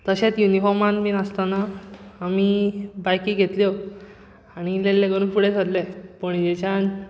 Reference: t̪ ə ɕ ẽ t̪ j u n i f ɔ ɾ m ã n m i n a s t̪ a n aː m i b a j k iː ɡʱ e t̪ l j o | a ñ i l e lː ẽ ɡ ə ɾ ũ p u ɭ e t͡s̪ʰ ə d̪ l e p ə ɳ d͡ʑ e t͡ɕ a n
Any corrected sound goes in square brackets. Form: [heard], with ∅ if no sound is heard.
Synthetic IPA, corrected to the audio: t̪ ə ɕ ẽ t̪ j u n i f ɔ ɾ m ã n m i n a s t̪ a n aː m i b a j k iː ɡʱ e t̪ l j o | a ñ i l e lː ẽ ɡ ə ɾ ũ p u [ɽ] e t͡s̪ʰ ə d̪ l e p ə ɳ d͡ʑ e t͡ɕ a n